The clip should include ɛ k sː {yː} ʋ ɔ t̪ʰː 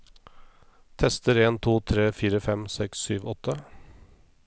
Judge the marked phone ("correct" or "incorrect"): correct